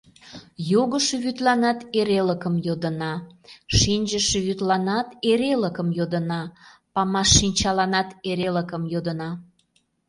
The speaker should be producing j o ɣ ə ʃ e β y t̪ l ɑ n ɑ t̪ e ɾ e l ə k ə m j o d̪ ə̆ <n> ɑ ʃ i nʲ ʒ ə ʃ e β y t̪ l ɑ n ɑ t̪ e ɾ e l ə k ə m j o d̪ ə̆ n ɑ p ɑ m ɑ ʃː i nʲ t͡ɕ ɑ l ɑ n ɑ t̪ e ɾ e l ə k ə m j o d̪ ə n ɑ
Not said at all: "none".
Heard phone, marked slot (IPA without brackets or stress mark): n